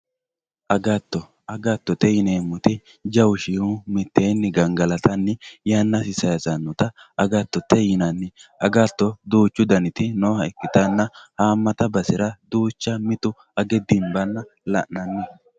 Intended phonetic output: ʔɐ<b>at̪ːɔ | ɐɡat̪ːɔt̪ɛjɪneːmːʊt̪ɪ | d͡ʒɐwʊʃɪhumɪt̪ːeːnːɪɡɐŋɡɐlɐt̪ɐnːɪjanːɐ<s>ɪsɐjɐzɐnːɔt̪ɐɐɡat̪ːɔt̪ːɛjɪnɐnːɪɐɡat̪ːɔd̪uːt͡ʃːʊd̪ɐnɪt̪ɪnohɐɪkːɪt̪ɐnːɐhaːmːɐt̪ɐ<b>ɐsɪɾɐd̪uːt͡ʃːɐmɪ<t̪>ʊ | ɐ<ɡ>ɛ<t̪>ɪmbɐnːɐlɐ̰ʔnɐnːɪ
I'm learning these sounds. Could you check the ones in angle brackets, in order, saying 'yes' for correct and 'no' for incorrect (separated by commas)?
no, yes, yes, yes, yes, no